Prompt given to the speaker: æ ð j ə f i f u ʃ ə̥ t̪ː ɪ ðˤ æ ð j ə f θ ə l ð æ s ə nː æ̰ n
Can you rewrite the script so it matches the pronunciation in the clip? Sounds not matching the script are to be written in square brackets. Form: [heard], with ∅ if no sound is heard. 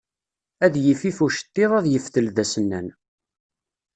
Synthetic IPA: æ ð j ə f i f u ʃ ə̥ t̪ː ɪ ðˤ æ ð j ə f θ ə l ð æ s ə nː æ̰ n